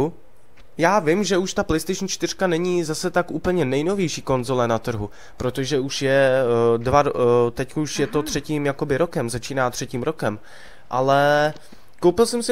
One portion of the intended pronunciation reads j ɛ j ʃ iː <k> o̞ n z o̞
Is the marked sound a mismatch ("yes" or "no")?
no